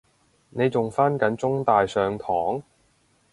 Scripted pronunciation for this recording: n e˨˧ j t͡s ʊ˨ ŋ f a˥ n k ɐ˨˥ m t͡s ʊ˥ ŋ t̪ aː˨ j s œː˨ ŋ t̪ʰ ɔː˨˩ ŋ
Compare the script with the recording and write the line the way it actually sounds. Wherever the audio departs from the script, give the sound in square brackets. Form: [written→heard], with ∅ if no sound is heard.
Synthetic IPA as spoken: n e˨˧ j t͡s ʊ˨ ŋ f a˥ n k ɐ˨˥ [m→n] t͡s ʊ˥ ŋ t̪ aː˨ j s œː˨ ŋ t̪ʰ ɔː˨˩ ŋ